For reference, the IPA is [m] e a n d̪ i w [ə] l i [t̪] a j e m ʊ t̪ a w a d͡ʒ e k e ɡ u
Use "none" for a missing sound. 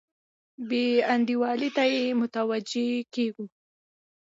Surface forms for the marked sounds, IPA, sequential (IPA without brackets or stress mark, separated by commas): b, ɑ, t̪